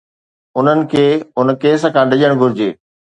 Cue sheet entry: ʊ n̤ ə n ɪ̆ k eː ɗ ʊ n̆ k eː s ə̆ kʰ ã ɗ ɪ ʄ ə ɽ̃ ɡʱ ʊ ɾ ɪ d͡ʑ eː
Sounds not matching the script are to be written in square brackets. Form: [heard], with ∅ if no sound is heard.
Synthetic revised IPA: ʊ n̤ ə n ɪ̆ [kʰ] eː [∅] ʊ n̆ k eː s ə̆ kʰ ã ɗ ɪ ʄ ə ɽ̃ ɡʱ ʊ ɾ ɪ d͡ʑ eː